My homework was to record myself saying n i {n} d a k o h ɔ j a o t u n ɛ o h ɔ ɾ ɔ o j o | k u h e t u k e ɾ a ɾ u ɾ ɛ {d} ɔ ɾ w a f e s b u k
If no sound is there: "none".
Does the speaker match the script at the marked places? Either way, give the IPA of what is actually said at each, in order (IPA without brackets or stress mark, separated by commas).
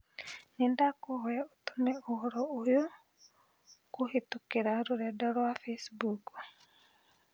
n, d